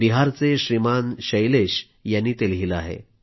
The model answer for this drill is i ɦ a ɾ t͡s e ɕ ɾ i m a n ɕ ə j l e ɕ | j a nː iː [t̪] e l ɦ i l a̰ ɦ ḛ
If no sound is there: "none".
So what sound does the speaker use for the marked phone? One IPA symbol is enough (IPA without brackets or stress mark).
t̪